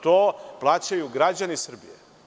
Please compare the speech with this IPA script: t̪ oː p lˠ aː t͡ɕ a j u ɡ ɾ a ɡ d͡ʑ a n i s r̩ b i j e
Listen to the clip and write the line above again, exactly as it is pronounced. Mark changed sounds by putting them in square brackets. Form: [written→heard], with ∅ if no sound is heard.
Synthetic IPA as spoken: t̪ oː p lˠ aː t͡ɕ a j u ɡ ɾ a [ɡ→∅] d͡ʑ a n i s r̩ b i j e